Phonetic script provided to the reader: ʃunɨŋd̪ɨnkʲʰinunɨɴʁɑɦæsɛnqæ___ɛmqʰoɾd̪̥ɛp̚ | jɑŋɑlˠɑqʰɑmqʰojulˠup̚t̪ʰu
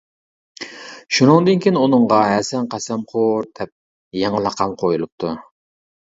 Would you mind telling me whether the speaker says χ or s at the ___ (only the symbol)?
s